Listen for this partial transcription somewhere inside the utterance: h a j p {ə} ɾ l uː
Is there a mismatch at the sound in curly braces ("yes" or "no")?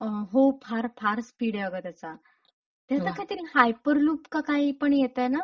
no